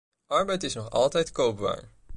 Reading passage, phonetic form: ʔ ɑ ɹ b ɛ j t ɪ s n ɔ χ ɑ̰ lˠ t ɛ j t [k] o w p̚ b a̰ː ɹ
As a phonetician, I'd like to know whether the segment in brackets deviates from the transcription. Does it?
no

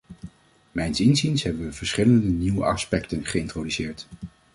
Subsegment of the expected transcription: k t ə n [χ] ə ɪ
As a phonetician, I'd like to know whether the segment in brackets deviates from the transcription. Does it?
no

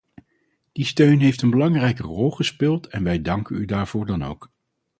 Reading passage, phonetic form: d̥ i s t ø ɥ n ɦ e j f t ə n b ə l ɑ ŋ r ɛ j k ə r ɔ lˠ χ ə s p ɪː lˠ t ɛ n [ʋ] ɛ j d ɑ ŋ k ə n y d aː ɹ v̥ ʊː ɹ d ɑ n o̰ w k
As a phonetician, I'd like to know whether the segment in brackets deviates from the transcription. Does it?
no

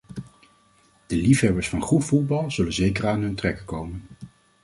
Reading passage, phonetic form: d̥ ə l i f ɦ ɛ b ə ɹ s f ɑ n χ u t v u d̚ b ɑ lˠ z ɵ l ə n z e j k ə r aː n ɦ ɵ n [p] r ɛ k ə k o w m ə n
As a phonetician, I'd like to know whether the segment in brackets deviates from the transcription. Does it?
yes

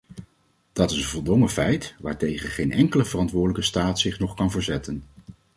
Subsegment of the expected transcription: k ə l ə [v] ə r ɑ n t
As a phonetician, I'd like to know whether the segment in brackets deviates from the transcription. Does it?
no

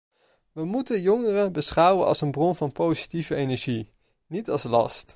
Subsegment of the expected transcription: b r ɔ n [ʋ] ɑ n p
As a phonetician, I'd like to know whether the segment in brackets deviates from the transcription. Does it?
yes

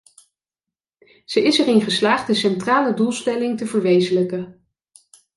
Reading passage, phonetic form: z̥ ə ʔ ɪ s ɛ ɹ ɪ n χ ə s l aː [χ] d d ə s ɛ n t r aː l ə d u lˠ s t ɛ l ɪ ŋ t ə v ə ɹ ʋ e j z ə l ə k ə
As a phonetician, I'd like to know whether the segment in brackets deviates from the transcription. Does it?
no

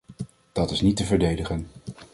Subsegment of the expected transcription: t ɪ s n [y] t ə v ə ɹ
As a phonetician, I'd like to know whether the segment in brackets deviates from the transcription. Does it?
yes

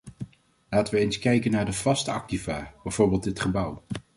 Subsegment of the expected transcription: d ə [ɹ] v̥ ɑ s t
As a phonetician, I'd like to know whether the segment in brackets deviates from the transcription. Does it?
yes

